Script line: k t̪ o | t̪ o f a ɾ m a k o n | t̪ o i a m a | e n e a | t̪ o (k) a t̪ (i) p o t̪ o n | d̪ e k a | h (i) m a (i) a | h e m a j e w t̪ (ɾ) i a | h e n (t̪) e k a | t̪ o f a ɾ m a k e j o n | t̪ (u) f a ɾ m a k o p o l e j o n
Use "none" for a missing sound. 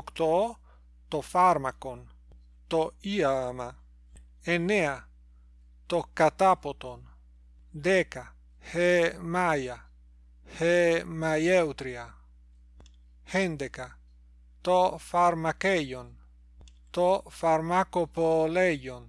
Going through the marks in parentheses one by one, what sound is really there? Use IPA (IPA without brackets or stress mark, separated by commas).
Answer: k, a, e, j, ɾ, d̪, o